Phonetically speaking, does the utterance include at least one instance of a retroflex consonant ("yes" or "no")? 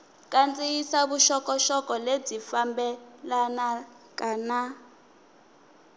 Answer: no